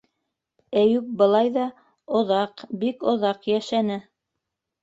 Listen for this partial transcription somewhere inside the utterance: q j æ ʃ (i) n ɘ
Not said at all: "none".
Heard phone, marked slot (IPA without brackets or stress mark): æ